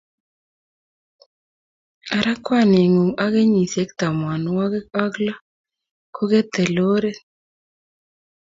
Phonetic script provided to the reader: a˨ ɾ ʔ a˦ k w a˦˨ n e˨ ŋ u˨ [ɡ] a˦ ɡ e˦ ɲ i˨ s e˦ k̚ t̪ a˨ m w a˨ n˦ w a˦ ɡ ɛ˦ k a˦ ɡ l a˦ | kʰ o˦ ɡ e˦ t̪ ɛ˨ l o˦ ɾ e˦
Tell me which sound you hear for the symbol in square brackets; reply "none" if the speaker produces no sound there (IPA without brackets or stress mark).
ŋ